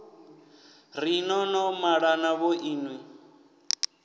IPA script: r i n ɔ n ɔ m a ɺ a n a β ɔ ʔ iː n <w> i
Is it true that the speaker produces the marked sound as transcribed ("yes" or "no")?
yes